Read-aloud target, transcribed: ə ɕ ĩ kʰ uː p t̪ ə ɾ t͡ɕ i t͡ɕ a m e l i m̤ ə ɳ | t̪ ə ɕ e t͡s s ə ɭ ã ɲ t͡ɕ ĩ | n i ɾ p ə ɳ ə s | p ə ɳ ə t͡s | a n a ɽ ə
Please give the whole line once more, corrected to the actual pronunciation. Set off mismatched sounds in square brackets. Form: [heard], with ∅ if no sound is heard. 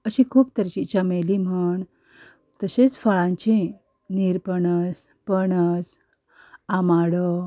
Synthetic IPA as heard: ə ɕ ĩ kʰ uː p t̪ ə ɾ t͡ɕ i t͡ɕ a m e l i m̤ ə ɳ | t̪ ə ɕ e t͡s [f] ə ɭ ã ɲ t͡ɕ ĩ | n i ɾ p ə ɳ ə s | p ə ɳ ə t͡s | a [m] a ɽ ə